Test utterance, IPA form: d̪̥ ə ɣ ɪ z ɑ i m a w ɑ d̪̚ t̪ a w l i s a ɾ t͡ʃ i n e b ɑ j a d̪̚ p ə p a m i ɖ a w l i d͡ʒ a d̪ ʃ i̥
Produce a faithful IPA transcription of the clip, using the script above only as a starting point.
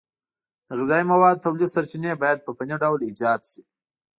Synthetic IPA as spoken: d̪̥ ə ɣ ɪ z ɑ i m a w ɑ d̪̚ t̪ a w l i s a ɾ t͡ʃ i n e b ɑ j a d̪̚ p ə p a n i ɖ a w l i d͡ʒ ɑ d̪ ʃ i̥

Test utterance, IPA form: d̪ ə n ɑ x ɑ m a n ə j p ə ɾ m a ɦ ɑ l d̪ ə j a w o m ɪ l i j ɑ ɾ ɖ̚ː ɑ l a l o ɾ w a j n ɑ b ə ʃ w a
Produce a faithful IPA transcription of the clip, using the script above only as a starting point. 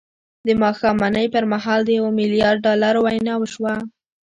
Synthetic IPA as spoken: d̪ ə m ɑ x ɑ m a n ə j p ə ɾ m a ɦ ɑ l d̪ ə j a w o m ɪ l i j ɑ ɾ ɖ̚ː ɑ l a ɾ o w a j n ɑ w ə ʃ w a

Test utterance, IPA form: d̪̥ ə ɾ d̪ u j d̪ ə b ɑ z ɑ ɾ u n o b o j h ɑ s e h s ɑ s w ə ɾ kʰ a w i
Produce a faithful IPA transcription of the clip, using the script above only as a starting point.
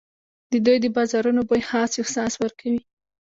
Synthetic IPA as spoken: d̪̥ ə d̪ u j d̪ ə b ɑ z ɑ ɾ u n o b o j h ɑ s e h s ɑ s w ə ɾ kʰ a w i

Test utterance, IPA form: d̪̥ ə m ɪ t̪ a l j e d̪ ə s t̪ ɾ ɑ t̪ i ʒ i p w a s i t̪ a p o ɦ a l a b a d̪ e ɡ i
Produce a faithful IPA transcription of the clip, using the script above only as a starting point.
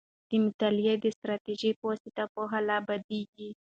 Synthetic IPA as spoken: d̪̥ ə m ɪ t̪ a l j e d̪ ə s t̪ ɾ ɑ t̪ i ʒ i p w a s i t̪ a p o ɦ a l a b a d̪ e ɡ i

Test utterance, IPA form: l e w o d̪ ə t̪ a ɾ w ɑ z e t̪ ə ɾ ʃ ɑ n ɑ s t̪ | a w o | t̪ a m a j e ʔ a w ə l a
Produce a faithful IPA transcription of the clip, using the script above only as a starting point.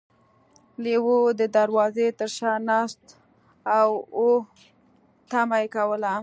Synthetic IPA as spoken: l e w o d̪ ə d̪ a ɾ w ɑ z e t̪ ə ɾ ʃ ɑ n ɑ s t̪ | a w o | t̪ a m a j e k a w ə l a

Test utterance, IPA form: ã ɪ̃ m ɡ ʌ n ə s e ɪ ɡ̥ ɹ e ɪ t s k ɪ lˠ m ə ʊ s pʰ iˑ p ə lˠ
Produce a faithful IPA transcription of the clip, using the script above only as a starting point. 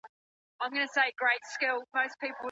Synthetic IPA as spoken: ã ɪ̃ m ɡ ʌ n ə s e ɪ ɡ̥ ɹ e ɪ t s k ɪ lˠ m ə ʊ s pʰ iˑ p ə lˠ

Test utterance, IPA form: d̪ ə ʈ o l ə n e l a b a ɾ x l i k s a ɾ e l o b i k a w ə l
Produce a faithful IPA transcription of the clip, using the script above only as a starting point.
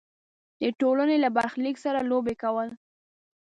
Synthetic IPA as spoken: d̪ ə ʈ o l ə n e l a b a ɾ x l i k s a ɾ a l o b e k a w ə l

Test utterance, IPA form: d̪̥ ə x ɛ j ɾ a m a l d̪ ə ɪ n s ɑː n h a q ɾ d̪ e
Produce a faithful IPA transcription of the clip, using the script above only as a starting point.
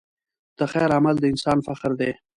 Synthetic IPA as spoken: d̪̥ ə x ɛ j ɾ a m a l d̪ ə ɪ n s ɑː n f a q ɾ d̪ e

